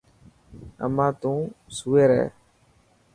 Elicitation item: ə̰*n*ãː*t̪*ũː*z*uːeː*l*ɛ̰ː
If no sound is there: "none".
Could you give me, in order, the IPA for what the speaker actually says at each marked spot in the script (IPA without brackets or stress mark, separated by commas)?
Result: m, t̪, s, ɾ